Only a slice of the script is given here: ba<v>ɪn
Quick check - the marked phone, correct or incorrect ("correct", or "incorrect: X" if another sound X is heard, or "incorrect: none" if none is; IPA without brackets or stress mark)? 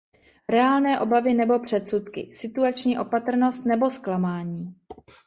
correct